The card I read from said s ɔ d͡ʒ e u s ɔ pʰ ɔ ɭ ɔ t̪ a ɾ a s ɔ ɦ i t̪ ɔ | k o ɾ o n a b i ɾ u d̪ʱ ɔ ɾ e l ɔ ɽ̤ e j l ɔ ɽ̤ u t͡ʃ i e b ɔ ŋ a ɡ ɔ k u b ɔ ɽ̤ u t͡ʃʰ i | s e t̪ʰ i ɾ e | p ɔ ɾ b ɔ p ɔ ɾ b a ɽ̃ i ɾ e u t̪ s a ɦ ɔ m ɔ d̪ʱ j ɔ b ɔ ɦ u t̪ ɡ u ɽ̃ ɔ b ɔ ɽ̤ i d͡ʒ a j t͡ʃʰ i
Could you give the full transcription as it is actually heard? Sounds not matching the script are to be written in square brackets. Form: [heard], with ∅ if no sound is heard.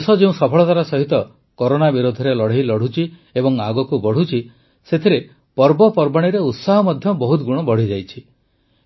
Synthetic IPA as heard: s ɔ d͡ʒ e [ũ] s ɔ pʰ ɔ ɭ ɔ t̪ a ɾ a s ɔ ɦ i t̪ ɔ | k o ɾ o n a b i ɾ [o] d̪ʱ ɔ ɾ e l ɔ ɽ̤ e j l ɔ ɽ̤ u t͡ʃ i e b ɔ ŋ a ɡ ɔ k u b ɔ ɽ̤ u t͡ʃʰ i | s e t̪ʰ i ɾ e | p ɔ ɾ b ɔ p ɔ ɾ b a ɽ̃ i ɾ e u t̪ s a ɦ ɔ m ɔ d̪ʱ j ɔ b ɔ ɦ u t̪ ɡ u ɽ̃ ɔ b ɔ ɽ̤ i d͡ʒ a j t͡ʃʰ i